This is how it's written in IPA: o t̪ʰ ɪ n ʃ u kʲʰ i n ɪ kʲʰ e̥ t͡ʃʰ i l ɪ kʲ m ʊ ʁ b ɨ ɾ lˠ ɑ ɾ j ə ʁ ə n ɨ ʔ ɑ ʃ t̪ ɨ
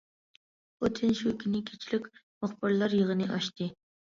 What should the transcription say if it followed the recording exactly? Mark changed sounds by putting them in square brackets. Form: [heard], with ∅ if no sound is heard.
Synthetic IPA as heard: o t̪ʰ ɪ n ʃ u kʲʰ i n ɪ kʲʰ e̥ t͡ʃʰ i l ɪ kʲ m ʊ [χ] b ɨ ɾ lˠ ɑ ɾ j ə ʁ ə n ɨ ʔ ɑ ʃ t̪ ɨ